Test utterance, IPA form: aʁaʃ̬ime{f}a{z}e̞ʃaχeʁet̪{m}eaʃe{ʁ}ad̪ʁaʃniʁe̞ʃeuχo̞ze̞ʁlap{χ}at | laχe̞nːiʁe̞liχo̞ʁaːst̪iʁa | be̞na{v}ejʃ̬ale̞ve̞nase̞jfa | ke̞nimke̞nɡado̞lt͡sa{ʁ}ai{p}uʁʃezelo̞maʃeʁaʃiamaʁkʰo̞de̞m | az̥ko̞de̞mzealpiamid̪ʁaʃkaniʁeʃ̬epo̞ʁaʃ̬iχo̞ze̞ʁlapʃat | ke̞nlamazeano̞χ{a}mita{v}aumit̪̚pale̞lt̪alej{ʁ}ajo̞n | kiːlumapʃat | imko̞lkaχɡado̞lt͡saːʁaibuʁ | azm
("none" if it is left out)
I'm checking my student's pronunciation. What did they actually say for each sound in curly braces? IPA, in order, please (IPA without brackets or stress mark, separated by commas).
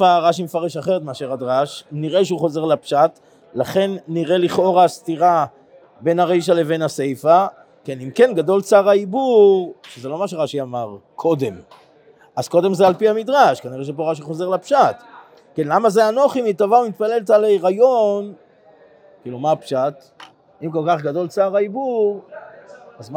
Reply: f, ʁ, m, ʁ, ʃ, ʁ, ʁ, b, i, v, ʁ